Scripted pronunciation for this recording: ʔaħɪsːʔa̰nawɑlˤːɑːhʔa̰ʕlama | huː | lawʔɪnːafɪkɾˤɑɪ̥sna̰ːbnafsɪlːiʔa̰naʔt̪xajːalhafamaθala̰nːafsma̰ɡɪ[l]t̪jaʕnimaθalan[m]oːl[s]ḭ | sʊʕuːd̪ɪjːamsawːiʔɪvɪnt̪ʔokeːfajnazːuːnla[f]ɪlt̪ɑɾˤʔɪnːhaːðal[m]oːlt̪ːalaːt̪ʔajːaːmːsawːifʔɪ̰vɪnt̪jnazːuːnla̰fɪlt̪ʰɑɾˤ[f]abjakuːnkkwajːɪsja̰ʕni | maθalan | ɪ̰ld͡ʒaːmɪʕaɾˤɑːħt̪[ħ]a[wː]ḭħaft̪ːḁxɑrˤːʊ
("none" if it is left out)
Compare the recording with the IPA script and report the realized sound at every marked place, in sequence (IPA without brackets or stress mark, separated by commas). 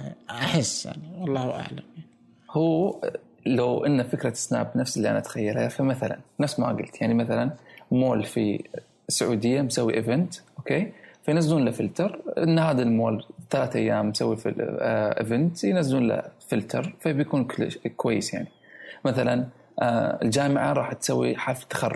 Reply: l, m, f, f, m, f, s, wː